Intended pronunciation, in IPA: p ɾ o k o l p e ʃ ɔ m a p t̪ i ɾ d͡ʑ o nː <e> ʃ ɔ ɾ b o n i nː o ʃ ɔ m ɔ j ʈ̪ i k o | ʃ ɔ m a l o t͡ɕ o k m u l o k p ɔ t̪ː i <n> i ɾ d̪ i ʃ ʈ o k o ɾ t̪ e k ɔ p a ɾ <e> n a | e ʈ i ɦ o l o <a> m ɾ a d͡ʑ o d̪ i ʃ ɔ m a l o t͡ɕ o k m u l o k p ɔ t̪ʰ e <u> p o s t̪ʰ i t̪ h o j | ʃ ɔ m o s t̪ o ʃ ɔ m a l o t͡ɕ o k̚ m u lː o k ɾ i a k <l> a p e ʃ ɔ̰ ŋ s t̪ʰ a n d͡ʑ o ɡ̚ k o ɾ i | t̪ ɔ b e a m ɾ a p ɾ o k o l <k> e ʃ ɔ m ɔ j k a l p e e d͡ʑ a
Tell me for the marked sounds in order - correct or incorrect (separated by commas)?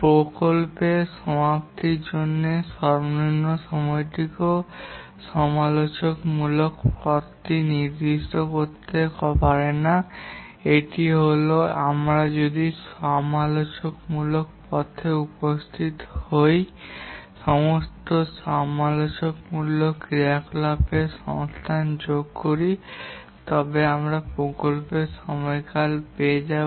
correct, correct, correct, correct, correct, correct, incorrect